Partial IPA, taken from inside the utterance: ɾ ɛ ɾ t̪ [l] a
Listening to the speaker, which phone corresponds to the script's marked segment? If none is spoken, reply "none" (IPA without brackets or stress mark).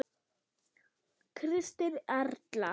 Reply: l